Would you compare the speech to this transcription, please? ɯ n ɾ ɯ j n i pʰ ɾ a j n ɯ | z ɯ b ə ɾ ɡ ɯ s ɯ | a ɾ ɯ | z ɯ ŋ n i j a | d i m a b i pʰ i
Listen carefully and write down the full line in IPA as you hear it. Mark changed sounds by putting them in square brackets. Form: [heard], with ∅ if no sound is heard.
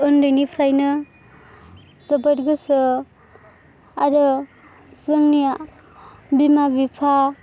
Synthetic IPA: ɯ n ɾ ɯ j n i pʰ ɾ a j n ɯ | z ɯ b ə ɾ ɡ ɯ s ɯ | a ɾ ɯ | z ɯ ŋ n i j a | [b] i m a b i pʰ [a]